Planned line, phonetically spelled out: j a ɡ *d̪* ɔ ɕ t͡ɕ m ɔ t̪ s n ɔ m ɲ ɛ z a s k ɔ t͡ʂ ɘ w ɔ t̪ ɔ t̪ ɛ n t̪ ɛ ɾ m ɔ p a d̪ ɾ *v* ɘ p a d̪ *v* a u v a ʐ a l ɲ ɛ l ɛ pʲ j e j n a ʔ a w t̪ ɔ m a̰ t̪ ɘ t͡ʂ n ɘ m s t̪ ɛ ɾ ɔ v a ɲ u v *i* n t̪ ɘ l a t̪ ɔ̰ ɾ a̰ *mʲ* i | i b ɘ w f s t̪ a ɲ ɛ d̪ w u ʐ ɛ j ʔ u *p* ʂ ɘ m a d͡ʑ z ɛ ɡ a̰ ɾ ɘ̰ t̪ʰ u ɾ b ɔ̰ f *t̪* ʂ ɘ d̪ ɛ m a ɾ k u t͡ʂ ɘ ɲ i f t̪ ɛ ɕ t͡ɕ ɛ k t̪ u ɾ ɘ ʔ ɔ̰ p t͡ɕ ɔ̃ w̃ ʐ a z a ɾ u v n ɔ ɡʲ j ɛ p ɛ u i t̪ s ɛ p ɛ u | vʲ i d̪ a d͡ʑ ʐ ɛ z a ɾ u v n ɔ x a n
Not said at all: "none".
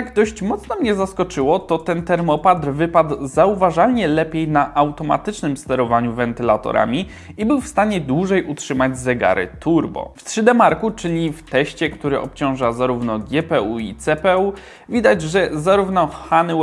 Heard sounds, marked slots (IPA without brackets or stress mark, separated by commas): d̪, v, z, ɛ, mʲ, t, t̪